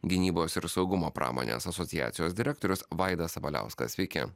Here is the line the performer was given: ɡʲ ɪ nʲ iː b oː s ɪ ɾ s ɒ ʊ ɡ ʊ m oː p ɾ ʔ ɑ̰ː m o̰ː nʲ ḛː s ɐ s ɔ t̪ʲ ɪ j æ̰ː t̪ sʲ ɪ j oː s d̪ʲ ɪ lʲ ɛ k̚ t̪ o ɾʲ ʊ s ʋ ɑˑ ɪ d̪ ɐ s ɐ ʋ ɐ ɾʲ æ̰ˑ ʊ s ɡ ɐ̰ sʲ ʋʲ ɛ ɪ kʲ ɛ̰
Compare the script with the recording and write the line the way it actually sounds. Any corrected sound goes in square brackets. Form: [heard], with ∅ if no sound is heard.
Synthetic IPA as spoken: ɡʲ ɪ nʲ iː b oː s ɪ ɾ s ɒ ʊ ɡ ʊ m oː p ɾ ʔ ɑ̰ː m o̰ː nʲ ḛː s ɐ s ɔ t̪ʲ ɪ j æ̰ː t̪ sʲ ɪ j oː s d̪ʲ ɪ [ɾʲ] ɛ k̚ t̪ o ɾʲ ʊ s ʋ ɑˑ ɪ d̪ ɐ s ɐ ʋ ɐ [lʲ] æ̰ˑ ʊ s [k] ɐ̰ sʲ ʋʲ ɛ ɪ kʲ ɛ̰